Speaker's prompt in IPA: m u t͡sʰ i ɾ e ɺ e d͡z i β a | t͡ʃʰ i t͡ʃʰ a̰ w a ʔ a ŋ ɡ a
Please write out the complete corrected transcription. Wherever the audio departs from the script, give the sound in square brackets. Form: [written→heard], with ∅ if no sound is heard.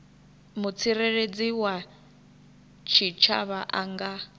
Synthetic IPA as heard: m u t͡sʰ i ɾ e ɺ e d͡z i [β→w] a | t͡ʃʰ i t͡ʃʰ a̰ [w→β] a ʔ a ŋ ɡ a